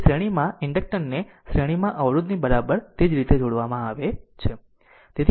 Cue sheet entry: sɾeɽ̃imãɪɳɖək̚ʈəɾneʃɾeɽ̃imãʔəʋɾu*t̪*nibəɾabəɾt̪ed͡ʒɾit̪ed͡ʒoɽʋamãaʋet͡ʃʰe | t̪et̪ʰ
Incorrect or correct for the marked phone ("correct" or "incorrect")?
incorrect